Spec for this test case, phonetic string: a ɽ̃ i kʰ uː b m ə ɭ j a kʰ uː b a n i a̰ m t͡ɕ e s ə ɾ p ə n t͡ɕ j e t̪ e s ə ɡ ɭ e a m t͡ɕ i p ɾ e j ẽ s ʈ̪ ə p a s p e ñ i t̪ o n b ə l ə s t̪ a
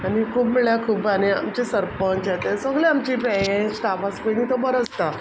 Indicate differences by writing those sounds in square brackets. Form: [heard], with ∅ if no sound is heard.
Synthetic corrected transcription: a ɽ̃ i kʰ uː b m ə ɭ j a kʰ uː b a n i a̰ m t͡ɕ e s ə ɾ p ə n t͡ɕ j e t̪ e s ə ɡ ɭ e a m t͡ɕ i p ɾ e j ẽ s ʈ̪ [a] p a s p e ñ i t̪ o [∅] b ə [ɾ] ə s t̪ a